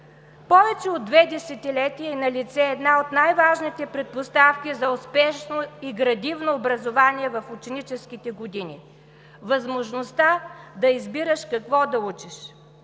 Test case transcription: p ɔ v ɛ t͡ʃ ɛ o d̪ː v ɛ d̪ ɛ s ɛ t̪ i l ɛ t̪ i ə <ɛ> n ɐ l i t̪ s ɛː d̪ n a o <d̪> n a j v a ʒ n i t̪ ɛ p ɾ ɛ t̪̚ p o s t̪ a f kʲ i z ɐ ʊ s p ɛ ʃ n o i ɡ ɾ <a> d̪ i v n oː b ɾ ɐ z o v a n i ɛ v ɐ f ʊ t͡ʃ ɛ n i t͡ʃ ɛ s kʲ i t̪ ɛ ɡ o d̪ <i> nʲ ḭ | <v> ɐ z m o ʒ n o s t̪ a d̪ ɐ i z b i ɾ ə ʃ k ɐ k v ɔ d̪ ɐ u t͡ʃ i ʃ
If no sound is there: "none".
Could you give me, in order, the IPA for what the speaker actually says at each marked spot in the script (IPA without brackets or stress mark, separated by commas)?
i, t̪, ɐ, i, v